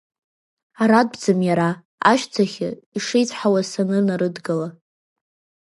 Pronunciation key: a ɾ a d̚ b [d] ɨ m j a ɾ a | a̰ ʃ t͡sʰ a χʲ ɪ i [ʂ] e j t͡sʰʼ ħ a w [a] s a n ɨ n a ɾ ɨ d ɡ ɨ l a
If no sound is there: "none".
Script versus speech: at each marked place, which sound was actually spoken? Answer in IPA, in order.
d͡z, ʂ, a

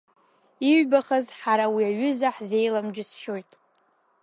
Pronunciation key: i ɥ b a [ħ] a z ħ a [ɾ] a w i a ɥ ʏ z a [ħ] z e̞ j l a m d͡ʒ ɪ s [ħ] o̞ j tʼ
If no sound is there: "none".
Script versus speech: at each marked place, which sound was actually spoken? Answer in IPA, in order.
χ, ɾ, ħ, ʃ

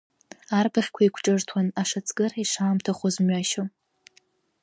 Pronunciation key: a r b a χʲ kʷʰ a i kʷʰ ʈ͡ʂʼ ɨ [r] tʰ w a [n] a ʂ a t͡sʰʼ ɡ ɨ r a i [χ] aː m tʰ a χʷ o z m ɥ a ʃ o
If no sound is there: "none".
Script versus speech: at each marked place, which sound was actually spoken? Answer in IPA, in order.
r, n, ʂ

